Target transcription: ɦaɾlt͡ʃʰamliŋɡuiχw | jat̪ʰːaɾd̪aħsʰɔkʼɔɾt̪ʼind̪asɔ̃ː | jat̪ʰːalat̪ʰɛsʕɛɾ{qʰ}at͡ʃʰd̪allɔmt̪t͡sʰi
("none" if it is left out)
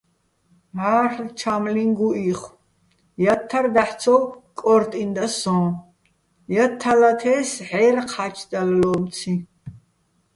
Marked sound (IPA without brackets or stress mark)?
qʰ